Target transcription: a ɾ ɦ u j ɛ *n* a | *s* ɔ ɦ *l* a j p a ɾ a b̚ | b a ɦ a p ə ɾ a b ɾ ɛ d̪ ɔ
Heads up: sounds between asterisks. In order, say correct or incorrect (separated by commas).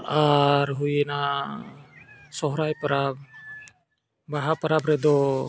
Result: correct, correct, incorrect